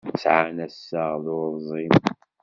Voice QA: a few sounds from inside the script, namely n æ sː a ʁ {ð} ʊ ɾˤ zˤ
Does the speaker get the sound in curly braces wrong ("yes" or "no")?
no